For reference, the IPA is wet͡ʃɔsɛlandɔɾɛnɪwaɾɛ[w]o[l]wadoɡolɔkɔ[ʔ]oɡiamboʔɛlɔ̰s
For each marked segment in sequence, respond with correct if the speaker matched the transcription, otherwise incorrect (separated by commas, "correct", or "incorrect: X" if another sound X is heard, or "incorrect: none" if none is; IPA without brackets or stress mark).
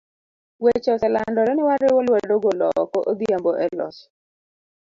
correct, correct, correct